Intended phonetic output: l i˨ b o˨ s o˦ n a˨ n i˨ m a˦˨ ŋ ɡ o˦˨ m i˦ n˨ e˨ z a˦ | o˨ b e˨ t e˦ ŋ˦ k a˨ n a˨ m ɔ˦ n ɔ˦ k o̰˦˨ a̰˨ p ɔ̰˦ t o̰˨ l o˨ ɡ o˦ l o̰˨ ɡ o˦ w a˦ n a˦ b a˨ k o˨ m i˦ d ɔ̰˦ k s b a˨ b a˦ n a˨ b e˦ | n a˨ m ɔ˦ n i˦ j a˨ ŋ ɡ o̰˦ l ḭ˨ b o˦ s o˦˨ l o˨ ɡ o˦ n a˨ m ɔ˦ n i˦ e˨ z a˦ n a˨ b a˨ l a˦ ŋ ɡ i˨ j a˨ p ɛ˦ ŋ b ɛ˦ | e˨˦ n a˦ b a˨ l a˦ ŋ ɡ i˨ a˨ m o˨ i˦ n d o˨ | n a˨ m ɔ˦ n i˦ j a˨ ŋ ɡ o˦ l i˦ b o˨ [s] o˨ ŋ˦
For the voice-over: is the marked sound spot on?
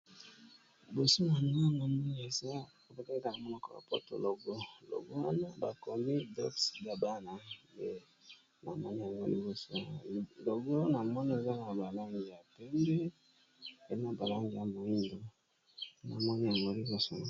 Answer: yes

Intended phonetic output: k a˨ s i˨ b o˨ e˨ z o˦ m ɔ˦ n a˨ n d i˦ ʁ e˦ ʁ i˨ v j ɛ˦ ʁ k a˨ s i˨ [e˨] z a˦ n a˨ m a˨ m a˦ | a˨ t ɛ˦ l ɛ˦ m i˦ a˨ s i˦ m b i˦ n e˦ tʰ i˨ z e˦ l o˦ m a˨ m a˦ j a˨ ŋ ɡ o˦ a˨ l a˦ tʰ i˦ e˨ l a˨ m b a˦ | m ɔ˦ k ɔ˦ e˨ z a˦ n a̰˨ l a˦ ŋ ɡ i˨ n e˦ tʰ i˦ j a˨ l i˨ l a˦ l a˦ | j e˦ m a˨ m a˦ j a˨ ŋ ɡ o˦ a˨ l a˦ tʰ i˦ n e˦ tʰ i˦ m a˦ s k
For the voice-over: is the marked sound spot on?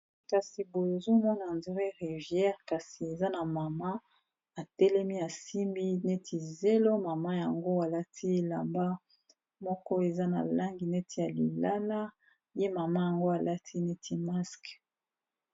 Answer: yes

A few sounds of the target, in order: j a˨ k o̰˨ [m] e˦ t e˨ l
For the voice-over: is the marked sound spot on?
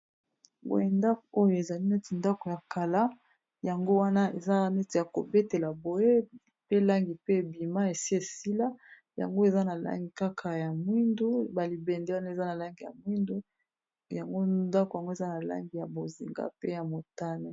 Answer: no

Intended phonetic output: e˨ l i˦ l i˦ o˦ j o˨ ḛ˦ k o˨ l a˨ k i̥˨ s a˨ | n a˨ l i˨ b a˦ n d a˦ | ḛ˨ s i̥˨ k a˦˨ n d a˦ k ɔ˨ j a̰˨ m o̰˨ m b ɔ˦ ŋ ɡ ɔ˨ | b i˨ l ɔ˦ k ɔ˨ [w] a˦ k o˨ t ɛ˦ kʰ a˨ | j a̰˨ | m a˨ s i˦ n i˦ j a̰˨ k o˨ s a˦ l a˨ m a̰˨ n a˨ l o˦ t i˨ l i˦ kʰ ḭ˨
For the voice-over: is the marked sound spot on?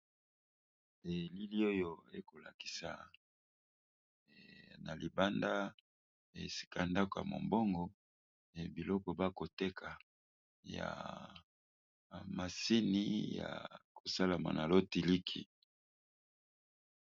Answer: no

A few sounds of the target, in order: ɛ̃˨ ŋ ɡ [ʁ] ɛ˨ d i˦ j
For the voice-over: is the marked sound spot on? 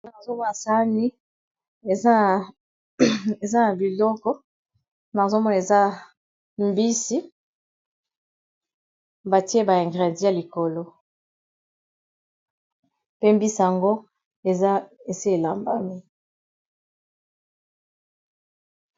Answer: yes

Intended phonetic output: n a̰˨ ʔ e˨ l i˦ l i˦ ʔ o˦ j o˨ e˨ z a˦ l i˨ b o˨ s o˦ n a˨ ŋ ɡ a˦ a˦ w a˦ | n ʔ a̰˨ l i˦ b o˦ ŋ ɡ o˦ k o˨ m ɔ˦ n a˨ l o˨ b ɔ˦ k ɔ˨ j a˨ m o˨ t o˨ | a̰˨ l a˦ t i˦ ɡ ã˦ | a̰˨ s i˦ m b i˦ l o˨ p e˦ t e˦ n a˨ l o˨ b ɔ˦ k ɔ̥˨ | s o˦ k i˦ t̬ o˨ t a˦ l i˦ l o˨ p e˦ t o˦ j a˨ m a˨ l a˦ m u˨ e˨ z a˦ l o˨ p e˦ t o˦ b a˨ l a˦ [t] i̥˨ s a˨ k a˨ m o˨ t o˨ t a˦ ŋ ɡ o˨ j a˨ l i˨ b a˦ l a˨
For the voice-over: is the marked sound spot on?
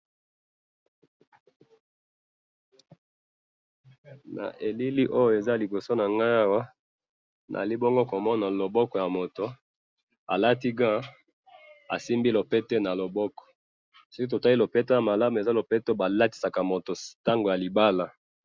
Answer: yes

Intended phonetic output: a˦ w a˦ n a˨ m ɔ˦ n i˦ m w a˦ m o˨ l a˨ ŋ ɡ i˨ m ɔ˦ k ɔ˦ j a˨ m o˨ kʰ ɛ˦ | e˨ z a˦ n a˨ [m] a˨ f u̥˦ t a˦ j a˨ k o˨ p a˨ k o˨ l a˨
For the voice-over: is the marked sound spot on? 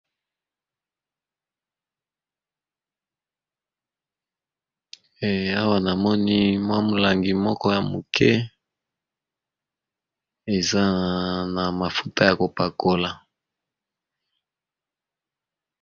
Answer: yes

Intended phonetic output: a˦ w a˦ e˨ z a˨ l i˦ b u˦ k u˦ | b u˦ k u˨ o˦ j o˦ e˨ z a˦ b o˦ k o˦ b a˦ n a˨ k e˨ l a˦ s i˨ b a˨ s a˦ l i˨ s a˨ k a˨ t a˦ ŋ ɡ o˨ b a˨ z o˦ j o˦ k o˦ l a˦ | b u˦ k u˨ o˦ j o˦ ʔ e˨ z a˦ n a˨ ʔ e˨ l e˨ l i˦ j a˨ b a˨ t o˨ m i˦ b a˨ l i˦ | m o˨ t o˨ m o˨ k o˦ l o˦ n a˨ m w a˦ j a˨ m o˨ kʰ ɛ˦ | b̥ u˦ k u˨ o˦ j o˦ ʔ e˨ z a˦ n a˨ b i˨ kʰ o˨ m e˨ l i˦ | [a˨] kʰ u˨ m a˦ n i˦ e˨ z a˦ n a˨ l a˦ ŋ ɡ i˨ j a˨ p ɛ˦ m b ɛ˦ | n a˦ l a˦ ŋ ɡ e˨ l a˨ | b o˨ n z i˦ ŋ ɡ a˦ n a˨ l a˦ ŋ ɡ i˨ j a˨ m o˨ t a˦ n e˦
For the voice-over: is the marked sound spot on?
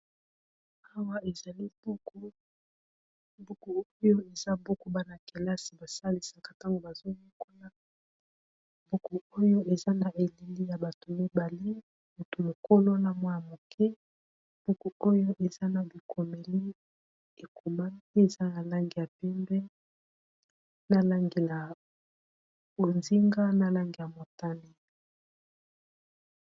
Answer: no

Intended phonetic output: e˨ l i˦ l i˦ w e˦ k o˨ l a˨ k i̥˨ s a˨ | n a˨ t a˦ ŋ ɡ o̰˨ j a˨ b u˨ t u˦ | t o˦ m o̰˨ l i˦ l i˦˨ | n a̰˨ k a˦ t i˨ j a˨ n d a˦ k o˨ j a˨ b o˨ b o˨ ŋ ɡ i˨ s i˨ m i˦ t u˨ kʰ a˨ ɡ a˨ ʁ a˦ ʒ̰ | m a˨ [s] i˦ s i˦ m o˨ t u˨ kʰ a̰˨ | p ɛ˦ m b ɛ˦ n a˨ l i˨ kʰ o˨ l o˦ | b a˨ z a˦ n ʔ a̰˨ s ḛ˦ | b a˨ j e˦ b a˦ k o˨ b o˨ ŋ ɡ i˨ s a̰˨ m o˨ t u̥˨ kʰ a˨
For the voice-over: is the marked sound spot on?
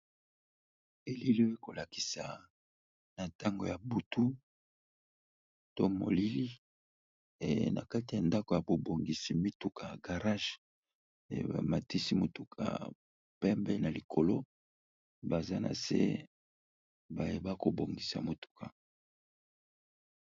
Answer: no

